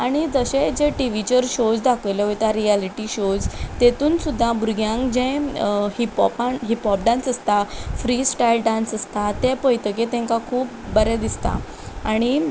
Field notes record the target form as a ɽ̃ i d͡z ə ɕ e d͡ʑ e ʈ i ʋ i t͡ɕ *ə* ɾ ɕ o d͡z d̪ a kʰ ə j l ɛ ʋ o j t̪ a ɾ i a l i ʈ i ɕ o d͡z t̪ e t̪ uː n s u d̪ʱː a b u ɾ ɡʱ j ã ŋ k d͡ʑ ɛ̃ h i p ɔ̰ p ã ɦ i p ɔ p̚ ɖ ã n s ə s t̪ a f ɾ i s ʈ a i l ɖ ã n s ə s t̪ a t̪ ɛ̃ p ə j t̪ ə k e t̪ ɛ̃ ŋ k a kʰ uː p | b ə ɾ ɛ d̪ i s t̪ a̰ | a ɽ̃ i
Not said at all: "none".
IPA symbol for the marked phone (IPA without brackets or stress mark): ə